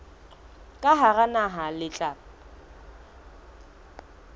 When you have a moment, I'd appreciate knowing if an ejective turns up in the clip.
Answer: yes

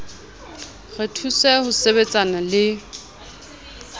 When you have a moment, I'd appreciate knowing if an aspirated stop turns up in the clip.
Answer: yes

